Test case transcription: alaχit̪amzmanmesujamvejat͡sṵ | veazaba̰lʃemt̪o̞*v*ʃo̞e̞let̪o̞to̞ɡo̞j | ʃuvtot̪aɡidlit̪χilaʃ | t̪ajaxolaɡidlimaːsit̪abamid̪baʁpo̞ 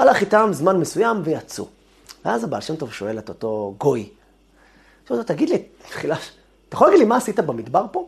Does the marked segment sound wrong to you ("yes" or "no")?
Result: no